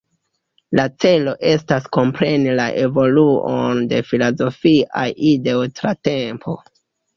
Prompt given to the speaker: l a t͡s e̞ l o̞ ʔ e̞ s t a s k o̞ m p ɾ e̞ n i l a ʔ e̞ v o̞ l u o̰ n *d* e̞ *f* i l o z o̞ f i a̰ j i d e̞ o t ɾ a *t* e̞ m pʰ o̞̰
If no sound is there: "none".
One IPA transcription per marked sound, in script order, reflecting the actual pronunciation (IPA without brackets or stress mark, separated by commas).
d, f, t